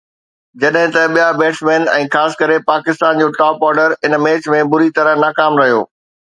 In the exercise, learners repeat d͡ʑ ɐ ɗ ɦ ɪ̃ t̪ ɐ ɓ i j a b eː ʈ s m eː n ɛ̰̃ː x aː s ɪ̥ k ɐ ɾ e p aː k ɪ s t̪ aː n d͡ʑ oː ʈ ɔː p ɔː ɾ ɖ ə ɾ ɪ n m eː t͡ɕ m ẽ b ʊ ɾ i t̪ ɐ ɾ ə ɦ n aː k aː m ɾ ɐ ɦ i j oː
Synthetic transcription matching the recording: d͡ʑ ɐ ɗ ɦ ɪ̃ t̪ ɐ ɓ i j a b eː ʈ s m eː n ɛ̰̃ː x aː s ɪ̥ k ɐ ɾ e p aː k ɪ s t̪ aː n d͡ʑ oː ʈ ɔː p ɔː ɾ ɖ ə ɾ ɪ n m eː t͡ɕ m ẽ b ʊ ɾ i t̪ ɐ ɾ ə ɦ n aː k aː m ɾ ɐ ɦ i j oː